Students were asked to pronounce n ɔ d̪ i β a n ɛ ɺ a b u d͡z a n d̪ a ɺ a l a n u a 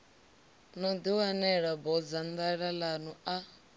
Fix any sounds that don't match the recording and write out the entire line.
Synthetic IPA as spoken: n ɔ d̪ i w a n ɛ ɺ a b ɔ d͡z a n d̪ a ɺ a l a n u a